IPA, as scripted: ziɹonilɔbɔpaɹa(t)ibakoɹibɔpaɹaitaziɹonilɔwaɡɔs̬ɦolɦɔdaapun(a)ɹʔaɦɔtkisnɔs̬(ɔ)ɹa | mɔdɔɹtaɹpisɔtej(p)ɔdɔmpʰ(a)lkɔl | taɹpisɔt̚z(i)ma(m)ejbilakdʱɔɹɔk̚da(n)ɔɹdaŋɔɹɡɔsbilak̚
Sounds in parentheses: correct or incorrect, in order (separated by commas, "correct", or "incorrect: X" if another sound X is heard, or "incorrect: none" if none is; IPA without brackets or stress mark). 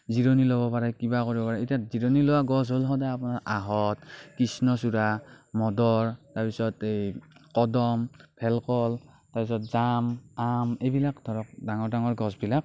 incorrect: k, correct, incorrect: u, incorrect: k, incorrect: ɛ, incorrect: a, correct, incorrect: ŋ